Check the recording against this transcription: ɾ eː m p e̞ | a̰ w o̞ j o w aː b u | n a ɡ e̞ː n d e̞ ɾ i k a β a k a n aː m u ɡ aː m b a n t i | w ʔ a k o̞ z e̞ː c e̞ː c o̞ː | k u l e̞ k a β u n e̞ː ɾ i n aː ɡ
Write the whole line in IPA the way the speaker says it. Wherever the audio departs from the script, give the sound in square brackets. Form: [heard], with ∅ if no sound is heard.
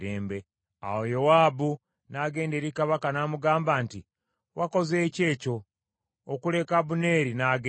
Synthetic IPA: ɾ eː m [b] e̞ | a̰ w o̞ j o w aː b u | n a ɡ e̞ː n d e̞ ɾ i k a β a k a n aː m u ɡ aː m b a n t i | w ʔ a k o̞ z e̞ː c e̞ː c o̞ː | k u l e̞ k a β u n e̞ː ɾ i n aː ɡ